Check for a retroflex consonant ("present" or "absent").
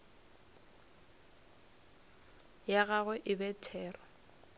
absent